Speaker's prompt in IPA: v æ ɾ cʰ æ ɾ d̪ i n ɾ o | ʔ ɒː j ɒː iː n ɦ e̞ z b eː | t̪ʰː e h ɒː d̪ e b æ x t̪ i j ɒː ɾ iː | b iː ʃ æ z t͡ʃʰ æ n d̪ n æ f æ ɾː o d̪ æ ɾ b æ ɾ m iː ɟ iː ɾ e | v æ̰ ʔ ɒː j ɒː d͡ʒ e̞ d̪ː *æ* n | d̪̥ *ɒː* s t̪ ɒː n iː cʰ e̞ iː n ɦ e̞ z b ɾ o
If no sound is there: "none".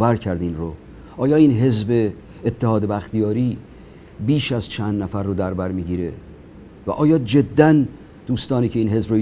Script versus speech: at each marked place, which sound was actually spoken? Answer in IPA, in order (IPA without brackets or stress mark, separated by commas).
æ, uː